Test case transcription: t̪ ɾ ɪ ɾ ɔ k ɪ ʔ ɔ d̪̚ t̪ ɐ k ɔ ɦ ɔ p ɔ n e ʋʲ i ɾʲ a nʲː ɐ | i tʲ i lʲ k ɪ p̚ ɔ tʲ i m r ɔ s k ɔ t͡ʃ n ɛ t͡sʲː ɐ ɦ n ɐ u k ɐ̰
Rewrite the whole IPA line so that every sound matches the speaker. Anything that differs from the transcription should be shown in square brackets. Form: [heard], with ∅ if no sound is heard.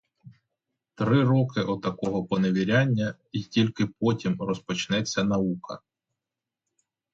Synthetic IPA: t̪ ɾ ɪ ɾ ɔ k ɪ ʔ ɔ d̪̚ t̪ ɐ k ɔ ɦ ɔ p ɔ n e ʋʲ i ɾʲ a nʲː ɐ | i tʲ i lʲ k ɪ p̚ ɔ tʲ i m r ɔ s [p] ɔ t͡ʃ n ɛ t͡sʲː ɐ [∅] n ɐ u k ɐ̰